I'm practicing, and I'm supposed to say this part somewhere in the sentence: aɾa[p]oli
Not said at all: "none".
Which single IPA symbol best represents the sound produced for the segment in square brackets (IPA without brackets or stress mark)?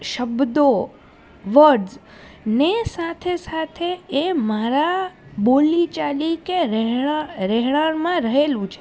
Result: b